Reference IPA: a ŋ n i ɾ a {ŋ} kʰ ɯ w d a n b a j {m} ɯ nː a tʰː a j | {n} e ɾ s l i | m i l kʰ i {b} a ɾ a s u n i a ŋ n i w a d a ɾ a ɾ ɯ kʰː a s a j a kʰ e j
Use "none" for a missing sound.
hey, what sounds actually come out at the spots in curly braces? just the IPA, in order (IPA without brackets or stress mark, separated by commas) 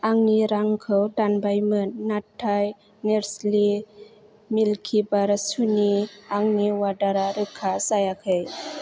ŋ, m, n, b